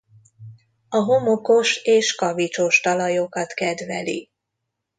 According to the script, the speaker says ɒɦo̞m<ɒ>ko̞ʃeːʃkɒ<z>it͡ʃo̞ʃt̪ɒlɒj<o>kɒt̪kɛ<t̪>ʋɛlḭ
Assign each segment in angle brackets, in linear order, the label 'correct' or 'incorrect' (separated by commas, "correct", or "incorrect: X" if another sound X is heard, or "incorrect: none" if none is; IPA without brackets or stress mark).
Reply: incorrect: o, incorrect: v, correct, incorrect: d̪